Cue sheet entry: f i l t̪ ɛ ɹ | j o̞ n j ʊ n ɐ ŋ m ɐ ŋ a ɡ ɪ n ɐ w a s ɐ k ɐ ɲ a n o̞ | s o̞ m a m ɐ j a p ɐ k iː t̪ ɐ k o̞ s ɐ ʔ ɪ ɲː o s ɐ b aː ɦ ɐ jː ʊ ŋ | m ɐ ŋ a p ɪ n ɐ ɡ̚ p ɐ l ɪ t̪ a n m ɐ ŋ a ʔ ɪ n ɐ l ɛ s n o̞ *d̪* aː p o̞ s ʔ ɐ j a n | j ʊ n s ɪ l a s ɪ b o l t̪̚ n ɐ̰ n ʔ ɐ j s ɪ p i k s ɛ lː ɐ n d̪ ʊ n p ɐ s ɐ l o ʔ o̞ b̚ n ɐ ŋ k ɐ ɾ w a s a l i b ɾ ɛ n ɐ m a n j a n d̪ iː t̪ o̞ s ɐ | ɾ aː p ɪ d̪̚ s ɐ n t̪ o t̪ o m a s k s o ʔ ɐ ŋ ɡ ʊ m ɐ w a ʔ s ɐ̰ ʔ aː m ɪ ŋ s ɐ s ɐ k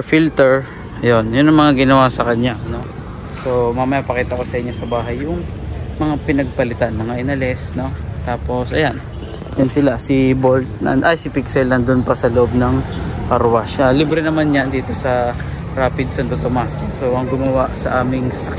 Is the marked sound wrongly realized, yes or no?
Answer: yes